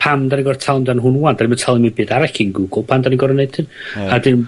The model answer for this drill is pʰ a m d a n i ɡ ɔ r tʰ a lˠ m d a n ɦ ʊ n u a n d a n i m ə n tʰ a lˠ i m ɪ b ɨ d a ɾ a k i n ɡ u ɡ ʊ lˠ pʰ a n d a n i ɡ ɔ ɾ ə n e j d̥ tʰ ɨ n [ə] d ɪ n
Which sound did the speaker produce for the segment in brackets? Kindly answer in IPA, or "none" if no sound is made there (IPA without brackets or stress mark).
a